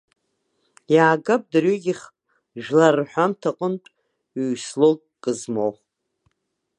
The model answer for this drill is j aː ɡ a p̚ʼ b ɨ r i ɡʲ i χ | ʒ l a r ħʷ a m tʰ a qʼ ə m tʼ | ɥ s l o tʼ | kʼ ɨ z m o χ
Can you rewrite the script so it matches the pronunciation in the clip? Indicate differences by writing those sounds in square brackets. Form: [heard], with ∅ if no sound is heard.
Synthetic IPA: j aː ɡ a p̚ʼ [d] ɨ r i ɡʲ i χ | ʒ l a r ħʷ a m tʰ a qʼ ə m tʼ | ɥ s l o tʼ | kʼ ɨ z m o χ